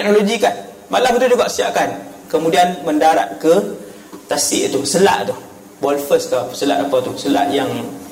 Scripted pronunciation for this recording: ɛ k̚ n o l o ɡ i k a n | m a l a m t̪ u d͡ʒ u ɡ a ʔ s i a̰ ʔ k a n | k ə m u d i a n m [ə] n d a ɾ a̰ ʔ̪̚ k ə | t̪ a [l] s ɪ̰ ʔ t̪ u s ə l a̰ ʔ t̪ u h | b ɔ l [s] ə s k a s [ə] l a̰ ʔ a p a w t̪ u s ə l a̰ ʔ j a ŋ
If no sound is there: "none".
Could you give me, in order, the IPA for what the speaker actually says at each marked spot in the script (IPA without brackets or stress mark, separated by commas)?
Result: ə, none, f, ə